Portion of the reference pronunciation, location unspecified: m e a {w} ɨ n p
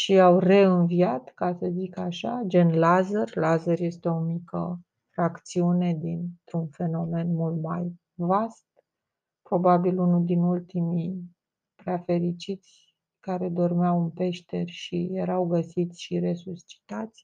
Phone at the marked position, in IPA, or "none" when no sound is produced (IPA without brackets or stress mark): w